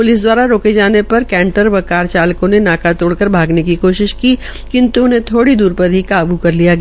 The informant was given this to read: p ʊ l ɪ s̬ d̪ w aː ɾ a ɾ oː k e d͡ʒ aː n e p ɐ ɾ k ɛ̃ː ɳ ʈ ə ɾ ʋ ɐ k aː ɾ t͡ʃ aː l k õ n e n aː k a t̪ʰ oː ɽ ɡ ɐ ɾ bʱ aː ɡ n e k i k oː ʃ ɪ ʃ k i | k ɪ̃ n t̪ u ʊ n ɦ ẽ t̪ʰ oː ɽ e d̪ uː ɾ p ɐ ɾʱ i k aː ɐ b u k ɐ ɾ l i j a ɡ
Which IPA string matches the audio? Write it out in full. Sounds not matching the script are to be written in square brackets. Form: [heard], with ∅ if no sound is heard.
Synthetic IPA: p ʊ l ɪ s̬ d̪ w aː ɾ a ɾ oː k e d͡ʒ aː n e p ɐ ɾ k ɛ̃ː ɳ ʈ ə ɾ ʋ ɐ k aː ɾ t͡ʃ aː l k õ n e n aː k a [t̪] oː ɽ [k] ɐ ɾ bʱ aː ɡ n e k i k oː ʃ ɪ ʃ k i | k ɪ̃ n t̪ u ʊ n ɦ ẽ t̪ʰ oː ɽ [i] d̪ uː ɾ p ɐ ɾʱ i k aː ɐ b u k ɐ ɾ l i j a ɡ